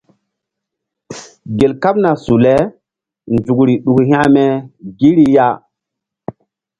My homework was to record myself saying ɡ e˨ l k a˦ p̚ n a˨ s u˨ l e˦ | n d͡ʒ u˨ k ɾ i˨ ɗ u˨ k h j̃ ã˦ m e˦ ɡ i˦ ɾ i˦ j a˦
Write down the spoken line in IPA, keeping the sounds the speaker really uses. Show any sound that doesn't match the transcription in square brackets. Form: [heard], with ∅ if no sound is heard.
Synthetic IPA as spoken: ɡ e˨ l k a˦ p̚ n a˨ s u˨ l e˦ | n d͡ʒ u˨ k ɾ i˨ ɗ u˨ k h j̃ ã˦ m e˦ ɡ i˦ ɾ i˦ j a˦